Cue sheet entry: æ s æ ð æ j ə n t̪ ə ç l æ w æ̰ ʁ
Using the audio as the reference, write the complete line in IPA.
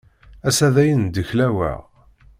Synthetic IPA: æ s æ ð æ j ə n d̪ ə ç l æ w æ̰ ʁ